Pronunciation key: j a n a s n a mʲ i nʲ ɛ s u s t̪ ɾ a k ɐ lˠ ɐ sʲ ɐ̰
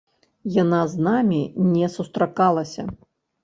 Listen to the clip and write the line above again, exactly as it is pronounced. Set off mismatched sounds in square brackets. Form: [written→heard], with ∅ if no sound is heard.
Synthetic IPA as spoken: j a n a [s→z] n a mʲ i nʲ ɛ s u s t̪ ɾ a k [ɐ→a] lˠ ɐ sʲ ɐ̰